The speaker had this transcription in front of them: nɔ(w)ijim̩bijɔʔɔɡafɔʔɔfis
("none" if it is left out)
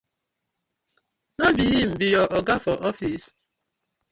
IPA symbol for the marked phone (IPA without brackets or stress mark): b